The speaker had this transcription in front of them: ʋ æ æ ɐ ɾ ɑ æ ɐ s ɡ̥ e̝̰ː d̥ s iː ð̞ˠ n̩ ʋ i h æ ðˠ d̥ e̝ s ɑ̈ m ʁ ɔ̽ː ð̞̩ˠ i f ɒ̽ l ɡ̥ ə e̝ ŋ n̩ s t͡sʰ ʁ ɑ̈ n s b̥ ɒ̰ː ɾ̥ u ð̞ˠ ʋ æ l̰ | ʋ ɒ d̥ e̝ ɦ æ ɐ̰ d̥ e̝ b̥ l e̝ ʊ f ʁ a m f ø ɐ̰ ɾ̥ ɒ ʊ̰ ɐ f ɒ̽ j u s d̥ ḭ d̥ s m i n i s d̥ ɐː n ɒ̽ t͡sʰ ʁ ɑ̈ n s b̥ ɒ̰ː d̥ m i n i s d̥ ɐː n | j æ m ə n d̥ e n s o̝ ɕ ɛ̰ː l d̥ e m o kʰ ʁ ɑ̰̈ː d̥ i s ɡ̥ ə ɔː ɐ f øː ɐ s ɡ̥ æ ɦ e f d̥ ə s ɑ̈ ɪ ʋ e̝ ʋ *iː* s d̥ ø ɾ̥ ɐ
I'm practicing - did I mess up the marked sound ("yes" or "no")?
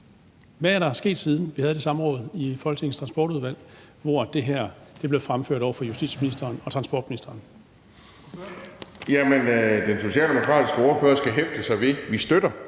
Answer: yes